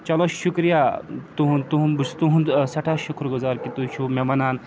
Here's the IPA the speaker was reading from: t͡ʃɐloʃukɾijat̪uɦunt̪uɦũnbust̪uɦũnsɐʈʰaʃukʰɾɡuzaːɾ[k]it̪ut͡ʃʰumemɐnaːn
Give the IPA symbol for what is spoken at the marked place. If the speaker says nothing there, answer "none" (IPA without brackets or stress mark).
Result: k